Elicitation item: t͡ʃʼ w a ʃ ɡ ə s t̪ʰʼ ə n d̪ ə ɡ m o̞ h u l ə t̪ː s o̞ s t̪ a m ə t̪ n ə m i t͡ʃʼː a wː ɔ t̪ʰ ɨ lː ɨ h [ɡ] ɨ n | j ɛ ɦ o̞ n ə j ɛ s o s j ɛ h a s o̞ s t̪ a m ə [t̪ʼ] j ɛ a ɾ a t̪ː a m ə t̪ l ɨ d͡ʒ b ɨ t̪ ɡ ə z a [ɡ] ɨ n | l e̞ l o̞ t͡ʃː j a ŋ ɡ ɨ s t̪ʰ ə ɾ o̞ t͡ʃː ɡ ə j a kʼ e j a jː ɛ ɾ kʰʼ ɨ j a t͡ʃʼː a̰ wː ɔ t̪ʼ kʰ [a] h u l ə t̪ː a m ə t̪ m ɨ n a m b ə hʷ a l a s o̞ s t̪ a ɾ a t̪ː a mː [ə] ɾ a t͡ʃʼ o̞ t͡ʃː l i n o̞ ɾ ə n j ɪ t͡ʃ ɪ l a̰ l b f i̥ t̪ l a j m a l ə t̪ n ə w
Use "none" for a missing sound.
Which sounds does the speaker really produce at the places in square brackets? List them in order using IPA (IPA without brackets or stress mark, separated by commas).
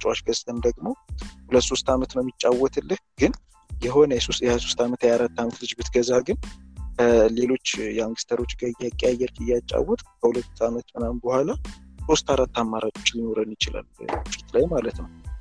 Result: ɡ, t̪, ɡ, ə, a